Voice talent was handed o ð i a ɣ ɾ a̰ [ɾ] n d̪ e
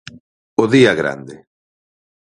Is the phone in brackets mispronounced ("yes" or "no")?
yes